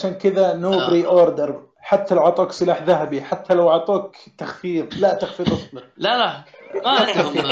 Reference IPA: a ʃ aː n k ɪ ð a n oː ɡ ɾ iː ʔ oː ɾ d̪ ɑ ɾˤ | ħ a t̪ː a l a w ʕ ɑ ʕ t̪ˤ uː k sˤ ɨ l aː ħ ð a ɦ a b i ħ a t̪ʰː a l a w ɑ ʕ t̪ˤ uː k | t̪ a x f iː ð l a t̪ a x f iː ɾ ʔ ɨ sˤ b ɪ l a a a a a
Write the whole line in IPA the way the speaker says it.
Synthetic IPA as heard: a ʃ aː n k ɪ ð a n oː b ɾ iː ʔ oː ɾ d̪ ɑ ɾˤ | ħ a t̪ː a l a w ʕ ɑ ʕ t̪ˤ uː k sˤ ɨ l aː ħ ð a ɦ a b i ħ a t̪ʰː a l a w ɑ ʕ t̪ˤ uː k | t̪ a x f iː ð l a t̪ a x f iː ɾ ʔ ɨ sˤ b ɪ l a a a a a